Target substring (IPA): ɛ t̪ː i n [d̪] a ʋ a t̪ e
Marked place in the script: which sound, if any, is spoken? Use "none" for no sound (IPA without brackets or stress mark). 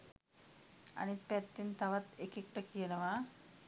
t̪